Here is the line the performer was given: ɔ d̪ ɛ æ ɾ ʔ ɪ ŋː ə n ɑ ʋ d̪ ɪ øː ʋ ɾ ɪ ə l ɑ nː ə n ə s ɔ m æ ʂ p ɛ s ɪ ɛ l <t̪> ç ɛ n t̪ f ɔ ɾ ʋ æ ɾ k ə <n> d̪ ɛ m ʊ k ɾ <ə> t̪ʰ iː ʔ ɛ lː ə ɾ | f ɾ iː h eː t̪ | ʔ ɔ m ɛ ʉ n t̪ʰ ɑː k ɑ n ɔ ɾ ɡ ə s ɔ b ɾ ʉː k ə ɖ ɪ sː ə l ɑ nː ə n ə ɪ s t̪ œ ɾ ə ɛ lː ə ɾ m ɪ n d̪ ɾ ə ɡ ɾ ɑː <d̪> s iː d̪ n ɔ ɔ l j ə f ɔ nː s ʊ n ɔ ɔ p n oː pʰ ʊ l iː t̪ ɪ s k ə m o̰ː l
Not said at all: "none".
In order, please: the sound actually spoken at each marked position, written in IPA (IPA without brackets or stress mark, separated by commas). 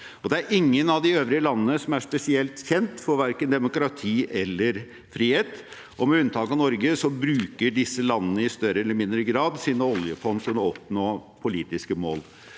t̪, n, ɑ, d̪